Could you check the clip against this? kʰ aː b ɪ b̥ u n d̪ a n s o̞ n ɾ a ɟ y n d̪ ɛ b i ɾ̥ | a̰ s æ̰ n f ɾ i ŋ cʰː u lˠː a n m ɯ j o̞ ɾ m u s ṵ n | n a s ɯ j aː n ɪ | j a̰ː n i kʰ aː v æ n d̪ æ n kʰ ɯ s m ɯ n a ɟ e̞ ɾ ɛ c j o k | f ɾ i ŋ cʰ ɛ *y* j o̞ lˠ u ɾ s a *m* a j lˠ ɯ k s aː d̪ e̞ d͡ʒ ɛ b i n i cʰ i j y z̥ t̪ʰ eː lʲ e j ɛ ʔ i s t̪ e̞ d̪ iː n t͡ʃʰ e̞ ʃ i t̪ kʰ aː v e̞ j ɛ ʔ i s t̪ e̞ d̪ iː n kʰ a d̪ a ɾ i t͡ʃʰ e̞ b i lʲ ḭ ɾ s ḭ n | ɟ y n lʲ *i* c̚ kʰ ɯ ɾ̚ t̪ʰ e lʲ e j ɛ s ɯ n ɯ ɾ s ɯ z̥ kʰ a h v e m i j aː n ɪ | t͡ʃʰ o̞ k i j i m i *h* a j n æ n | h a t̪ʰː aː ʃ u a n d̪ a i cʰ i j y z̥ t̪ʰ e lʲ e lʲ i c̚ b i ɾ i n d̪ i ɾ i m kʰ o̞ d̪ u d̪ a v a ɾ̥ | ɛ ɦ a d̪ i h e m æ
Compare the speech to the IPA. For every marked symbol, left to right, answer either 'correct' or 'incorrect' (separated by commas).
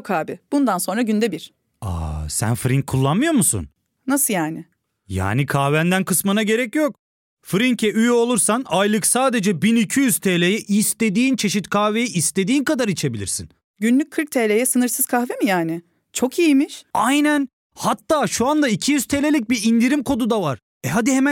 correct, incorrect, incorrect, incorrect